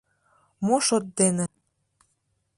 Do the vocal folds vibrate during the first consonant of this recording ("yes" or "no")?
yes